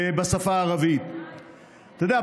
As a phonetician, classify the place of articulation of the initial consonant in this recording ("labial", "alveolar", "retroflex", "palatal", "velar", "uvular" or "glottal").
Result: labial